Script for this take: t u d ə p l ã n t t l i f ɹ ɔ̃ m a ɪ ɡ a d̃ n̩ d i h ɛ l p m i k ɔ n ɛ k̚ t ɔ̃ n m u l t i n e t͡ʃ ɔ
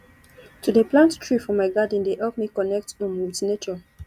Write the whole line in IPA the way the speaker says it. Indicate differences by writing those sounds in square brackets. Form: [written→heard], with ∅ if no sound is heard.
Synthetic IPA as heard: t u d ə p l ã n t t [l→ɹ] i f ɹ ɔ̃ m a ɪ ɡ a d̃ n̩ d [i→e] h ɛ l p m i k ɔ n ɛ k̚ t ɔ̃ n m u l t i n e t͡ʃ ɔ